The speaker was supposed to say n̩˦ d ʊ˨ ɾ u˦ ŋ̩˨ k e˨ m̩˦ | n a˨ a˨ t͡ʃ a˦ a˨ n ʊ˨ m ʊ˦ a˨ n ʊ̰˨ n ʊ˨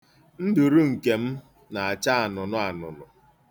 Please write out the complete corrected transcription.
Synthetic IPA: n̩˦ d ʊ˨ ɾ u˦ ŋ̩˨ k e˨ m̩˦ | n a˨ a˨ t͡ʃ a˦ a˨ n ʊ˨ n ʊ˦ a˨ n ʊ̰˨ n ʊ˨